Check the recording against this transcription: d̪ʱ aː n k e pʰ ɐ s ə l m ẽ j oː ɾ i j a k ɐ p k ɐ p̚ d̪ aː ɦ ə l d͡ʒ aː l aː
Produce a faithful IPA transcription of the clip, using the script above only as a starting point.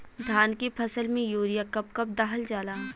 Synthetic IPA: d̪ʱ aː n k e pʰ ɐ s ə l m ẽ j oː ɾ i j a k ɐ p k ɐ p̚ d̪ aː ɦ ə l d͡ʒ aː l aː